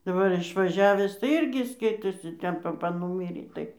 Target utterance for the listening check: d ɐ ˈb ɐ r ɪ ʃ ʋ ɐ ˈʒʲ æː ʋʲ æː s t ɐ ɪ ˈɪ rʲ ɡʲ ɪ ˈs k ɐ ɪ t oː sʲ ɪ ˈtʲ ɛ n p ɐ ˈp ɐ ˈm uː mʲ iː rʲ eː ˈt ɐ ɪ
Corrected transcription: d ɐ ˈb ɐ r ɪ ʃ ʋ ɐ ˈʒʲ æː ʋʲ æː s t ɐ ɪ ˈɪ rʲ ɡʲ ɪ ˈs k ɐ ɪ t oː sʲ ɪ ˈtʲ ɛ n p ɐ ˈp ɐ ˈn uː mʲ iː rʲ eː ˈt ɐ ɪ